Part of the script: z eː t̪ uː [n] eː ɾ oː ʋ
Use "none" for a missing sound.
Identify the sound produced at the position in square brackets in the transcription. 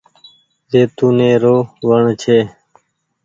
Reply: n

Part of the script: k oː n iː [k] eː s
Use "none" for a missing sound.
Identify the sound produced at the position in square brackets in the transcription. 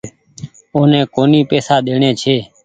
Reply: p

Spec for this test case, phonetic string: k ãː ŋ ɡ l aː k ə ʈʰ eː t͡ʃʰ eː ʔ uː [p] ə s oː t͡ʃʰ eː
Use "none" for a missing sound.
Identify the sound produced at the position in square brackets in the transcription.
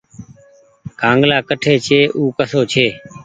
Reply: k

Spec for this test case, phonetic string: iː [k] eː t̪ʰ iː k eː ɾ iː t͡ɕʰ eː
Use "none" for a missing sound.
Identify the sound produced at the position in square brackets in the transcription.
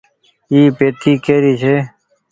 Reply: p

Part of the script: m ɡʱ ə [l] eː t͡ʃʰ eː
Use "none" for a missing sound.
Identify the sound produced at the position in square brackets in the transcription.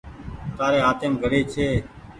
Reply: ɽ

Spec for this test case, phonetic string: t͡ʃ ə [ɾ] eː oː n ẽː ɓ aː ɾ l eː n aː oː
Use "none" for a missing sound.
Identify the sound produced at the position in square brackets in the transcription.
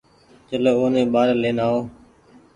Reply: l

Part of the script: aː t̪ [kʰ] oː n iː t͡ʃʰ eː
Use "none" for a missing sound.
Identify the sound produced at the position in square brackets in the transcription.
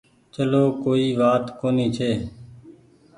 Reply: k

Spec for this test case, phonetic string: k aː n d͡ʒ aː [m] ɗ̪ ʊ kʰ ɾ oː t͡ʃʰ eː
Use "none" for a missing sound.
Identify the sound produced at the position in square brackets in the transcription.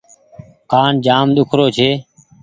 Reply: m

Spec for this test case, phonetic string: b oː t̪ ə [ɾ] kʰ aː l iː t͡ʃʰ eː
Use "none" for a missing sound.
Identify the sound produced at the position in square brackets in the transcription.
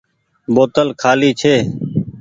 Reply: l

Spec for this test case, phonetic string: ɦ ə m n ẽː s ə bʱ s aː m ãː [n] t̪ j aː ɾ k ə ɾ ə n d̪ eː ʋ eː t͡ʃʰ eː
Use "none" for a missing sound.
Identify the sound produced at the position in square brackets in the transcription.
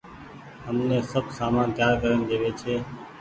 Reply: n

